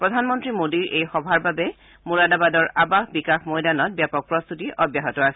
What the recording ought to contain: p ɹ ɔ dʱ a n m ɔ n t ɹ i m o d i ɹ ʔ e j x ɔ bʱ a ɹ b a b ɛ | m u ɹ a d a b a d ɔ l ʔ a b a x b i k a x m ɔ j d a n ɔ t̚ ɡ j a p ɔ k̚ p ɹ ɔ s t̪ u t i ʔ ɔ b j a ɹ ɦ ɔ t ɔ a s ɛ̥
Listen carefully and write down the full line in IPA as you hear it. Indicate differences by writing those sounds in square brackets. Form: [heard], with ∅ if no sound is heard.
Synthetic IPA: p ɹ ɔ dʱ a n m ɔ n t ɹ i m o d i ɹ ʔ e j x ɔ bʱ a ɹ b a b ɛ | m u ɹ a d a b a d ɔ [ɹ] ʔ a b a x b i k a x m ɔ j d a n ɔ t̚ [b] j a p ɔ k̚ p ɹ ɔ s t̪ u t i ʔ ɔ b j a [∅] ɦ ɔ t ɔ a s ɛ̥